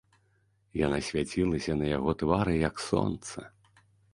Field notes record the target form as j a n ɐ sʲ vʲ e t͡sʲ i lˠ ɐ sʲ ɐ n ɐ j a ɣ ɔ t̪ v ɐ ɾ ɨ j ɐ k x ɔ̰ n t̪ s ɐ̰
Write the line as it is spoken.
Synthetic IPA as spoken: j a n a sʲ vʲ a t͡sʲ i lˠ ɐ sʲ ɐ n ɐ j a ɣ ɔ t̪ v a ɾ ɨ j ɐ k s ɔ̰ n t̪ s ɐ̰